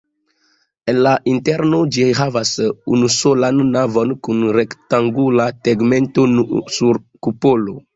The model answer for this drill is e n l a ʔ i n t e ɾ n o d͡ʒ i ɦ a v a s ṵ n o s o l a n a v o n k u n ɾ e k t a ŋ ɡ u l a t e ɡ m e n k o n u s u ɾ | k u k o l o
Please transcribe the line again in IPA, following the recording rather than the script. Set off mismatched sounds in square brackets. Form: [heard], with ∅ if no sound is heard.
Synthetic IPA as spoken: e n l a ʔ i n t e ɾ n o d͡ʒ i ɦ a v a s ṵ n [u] s o l a [nː] a v o n k u n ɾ e k t a ŋ ɡ u l a t e ɡ m e n [t] o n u s u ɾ | k u [p] o l o